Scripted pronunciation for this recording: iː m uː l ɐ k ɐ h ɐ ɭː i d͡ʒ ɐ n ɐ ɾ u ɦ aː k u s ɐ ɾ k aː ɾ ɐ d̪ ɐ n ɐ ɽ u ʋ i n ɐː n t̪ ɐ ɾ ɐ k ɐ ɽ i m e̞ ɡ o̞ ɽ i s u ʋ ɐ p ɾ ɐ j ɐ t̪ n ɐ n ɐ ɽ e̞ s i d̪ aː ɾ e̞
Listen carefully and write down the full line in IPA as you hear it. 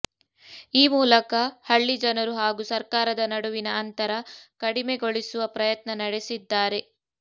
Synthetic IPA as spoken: iː m uː l ɐ k ɐ h ɐ ɭː i d͡ʒ ɐ n ɐ ɾ u ɦ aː ɡ u s ɐ ɾ k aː ɾ ɐ d̪ ɐ n ɐ ɽ u ʋ i n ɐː n t̪ ɐ ɾ ɐ k ɐ ɽ i m e̞ ɡ o̞ ɭ i s u ʋ ɐ p ɾ ɐ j ɐ t̪ n ɐ n ɐ ɽ e̞ s i d̪ː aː ɾ e̞